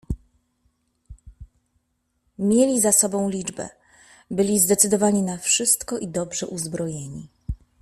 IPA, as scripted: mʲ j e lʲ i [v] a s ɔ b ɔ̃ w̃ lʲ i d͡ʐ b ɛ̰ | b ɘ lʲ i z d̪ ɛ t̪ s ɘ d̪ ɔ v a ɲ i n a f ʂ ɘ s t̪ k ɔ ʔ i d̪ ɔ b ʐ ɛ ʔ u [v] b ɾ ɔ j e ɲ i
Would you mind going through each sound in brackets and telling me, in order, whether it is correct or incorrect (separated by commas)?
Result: incorrect, incorrect